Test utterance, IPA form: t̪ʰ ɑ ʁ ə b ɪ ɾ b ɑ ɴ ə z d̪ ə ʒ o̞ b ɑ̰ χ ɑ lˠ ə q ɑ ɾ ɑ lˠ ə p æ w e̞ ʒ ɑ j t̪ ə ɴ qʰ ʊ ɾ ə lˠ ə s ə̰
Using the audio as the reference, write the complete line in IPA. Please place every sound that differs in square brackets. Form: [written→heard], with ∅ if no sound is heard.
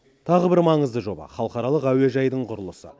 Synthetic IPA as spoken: t̪ʰ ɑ ʁ ə b ɪ ɾ [b→m] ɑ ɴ ə z d̪ ə ʒ o̞ b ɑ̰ χ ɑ lˠ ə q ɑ ɾ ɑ lˠ ə [p→q] æ w e̞ ʒ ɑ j [t̪→d̪] ə ɴ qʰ ʊ ɾ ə lˠ ə s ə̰

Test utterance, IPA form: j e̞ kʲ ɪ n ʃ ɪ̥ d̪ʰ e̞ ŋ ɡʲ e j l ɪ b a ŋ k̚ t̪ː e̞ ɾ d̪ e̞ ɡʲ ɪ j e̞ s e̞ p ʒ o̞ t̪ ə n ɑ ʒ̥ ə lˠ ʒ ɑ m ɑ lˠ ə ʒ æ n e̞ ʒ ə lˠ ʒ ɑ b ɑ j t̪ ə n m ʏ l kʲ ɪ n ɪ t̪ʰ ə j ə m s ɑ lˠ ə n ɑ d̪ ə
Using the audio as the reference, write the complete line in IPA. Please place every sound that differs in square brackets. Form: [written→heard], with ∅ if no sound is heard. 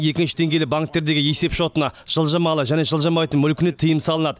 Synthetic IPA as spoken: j e̞ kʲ ɪ n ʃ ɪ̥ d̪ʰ e̞ ŋ ɡʲ e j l ɪ b a ŋ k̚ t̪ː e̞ ɾ d̪ e̞ ɡʲ ɪ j e̞ s e̞ p [ʒ→ʃ] o̞ t̪ ə n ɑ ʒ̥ ə lˠ ʒ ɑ m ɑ lˠ ə ʒ æ n e̞ ʒ ə lˠ ʒ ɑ [b→m] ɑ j t̪ ə n m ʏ l kʲ ɪ n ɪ t̪ʰ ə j ə m s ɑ lˠ ə n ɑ d̪ ə

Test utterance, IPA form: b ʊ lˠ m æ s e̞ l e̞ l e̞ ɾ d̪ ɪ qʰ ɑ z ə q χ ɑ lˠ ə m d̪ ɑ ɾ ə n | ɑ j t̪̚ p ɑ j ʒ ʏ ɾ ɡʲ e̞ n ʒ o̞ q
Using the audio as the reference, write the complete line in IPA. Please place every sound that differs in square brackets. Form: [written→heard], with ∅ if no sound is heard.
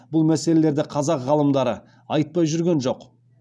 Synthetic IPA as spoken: b ʊ lˠ m æ s e̞ l e̞ l e̞ ɾ d̪ ɪ qʰ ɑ z [ə→ɑ] q [χ→ʁ] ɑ lˠ ə m d̪ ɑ ɾ ə [n→∅] | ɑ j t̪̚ p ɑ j ʒ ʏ ɾ ɡʲ e̞ n ʒ o̞ q

